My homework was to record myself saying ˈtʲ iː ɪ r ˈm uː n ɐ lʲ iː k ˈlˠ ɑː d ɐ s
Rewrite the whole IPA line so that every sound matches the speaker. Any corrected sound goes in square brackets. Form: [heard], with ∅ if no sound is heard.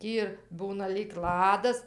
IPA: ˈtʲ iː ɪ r [ˈb] uː n ɐ lʲ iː k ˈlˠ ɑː d ɐ s

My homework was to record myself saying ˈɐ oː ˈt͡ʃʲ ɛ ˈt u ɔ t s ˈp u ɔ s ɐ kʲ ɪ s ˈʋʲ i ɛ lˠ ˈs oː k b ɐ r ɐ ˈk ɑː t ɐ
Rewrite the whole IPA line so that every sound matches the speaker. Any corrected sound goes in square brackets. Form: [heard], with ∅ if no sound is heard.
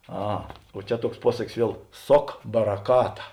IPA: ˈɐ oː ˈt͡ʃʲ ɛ ˈt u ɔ [k] s ˈp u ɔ s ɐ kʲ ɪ s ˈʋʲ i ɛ lˠ ˈs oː k b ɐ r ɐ ˈk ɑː t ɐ

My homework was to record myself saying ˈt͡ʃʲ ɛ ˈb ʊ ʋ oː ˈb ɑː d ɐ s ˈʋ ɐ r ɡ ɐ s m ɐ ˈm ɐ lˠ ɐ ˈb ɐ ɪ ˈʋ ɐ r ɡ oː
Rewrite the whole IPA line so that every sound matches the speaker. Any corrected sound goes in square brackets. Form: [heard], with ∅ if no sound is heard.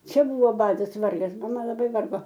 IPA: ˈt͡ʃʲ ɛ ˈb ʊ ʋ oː ˈb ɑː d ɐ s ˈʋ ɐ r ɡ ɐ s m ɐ ˈm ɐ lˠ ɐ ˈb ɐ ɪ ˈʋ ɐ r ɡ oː

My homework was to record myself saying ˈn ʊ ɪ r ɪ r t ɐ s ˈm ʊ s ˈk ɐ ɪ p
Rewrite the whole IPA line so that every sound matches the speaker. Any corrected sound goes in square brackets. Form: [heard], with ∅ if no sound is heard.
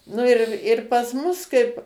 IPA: ˈn ʊ ɪ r ɪ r [p] ɐ s ˈm ʊ s ˈk ɐ ɪ p

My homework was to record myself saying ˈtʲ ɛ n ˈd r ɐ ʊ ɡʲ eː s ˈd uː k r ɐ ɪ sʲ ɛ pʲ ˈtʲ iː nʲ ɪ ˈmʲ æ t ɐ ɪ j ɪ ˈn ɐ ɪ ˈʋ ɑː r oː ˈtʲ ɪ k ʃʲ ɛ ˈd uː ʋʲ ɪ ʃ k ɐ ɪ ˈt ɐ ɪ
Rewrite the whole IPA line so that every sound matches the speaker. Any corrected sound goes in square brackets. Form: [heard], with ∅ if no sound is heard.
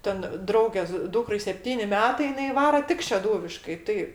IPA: ˈtʲ ɛ n ˈd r ɐ ʊ ɡʲ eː s ˈd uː k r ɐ ɪ sʲ ɛ pʲ ˈtʲ iː nʲ ɪ ˈmʲ [æː] t ɐ ɪ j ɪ ˈn ɐ ɪ ˈʋ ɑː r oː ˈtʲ ɪ k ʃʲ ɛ ˈd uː ʋʲ ɪ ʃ k ɐ ɪ ˈt ɐ ɪ

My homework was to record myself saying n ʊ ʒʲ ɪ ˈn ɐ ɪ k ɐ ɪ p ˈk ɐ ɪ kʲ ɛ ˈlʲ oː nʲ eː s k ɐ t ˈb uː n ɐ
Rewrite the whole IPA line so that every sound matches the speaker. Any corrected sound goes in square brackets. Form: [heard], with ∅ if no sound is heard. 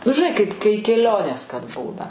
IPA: n ʊ ʒʲ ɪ ˈn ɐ ɪ k ɐ ɪ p ˈk ɐ ɪ kʲ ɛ ˈlʲ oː nʲ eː s k ɐ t ˈb uː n ɐ

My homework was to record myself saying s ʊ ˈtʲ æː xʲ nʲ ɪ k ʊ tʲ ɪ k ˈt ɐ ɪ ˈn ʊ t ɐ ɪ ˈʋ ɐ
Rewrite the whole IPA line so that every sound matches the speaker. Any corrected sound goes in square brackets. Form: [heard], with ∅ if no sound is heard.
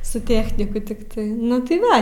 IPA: s ʊ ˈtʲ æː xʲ nʲ ɪ k ʊ tʲ ɪ k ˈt ɐ ɪ ˈn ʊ t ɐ ɪ ˈʋ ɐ

